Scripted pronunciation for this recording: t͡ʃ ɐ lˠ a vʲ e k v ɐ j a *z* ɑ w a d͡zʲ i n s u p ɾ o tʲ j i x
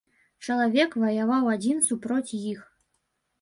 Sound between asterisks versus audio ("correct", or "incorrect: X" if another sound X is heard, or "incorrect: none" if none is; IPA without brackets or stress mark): incorrect: v